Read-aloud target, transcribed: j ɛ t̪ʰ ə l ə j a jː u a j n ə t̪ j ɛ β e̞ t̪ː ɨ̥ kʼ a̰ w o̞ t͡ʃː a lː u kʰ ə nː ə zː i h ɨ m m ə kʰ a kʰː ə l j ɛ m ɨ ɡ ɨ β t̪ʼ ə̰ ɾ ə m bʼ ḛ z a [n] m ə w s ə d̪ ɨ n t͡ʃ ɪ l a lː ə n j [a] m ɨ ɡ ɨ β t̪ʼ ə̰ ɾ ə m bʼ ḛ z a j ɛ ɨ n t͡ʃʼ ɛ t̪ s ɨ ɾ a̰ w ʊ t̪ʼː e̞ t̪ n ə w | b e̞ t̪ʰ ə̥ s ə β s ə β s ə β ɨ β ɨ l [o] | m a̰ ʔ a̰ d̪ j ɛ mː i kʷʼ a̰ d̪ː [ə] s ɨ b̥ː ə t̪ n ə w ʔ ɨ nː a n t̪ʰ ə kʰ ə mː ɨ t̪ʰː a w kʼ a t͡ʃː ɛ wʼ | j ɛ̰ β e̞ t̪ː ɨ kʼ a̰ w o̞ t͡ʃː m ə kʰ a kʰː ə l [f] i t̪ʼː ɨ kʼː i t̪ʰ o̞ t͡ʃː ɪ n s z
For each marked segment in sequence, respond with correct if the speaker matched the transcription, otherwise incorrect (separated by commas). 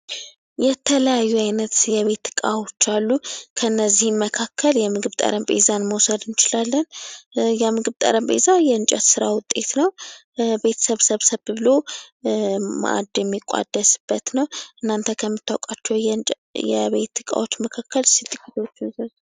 correct, incorrect, correct, correct, incorrect